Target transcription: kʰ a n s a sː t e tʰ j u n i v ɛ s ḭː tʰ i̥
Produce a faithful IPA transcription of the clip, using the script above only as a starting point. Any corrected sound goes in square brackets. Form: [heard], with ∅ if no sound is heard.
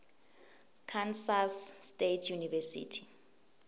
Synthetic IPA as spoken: kʰ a n s a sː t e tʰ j u n i v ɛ s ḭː tʰ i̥